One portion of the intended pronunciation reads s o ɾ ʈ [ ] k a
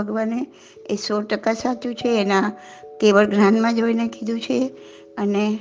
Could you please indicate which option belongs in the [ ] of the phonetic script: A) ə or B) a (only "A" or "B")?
A